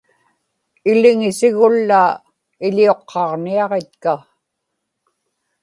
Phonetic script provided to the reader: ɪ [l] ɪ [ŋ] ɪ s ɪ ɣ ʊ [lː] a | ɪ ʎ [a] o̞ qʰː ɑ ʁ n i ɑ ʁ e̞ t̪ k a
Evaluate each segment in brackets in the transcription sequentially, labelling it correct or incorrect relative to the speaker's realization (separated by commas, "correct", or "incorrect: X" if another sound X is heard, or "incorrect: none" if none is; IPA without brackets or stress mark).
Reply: correct, correct, correct, incorrect: i